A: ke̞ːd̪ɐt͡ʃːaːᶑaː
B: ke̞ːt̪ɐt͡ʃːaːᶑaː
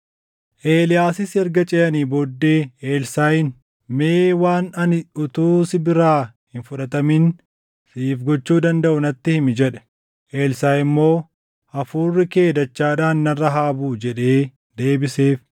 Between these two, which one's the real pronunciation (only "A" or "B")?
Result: A